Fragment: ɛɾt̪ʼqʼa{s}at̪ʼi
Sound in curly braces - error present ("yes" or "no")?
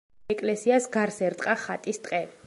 yes